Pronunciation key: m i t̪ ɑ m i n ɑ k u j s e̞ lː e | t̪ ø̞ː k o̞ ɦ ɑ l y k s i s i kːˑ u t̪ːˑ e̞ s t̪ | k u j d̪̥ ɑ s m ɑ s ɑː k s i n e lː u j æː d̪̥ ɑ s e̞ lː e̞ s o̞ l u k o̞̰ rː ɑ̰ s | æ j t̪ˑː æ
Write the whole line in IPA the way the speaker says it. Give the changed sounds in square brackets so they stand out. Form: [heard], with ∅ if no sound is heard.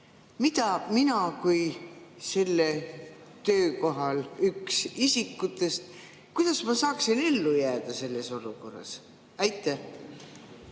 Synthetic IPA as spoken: m i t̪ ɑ m i n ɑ k u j s e̞ lː e | t̪ ø̞ː k o̞ ɦ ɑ l y k s i s i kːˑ u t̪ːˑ e̞ s t̪ | k u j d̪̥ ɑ s m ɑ s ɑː k s i n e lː u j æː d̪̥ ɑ s e̞ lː e̞ s o̞ l u k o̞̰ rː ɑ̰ s | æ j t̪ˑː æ